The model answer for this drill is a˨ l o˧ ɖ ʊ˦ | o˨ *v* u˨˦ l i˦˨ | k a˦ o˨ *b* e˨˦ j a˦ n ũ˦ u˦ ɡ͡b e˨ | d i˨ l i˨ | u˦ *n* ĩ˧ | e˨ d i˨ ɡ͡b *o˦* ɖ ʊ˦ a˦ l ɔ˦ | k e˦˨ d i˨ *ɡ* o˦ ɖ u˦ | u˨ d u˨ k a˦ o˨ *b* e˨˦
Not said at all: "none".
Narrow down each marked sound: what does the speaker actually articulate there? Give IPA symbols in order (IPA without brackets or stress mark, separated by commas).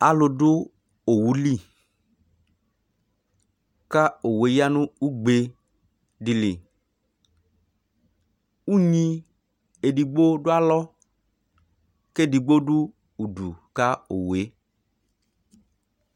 w, w, ɲ, o˦, ɡ͡b, w